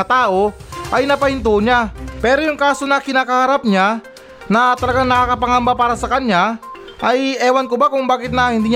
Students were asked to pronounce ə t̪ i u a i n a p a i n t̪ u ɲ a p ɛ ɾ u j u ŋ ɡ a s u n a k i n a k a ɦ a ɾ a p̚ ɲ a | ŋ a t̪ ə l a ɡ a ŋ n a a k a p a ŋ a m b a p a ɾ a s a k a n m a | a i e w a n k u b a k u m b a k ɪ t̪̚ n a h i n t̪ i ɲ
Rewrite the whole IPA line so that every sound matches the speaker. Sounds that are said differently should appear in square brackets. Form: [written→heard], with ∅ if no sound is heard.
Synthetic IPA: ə t̪ [i→a] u a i n a p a i n t̪ u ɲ a p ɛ ɾ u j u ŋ [ɡ→k] a s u n a k i n a k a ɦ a ɾ a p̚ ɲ a | [ŋ→n] a t̪ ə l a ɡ a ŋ n a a k a p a ŋ a m b a p a ɾ a s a k a n [m→ɲ] a | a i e w a n k u b a k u [m→ŋ] b a k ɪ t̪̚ n a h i n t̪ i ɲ